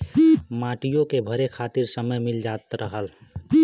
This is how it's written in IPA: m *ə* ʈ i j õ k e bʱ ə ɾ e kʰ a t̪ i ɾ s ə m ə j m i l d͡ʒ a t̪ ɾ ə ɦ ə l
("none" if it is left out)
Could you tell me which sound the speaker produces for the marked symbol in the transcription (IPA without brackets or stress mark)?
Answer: a